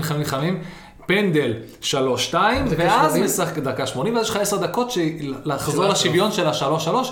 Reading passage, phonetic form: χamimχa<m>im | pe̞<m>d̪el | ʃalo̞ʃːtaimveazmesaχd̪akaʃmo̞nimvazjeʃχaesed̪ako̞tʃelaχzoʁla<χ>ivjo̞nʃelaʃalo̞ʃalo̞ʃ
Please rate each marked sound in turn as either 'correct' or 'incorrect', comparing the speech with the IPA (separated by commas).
correct, incorrect, incorrect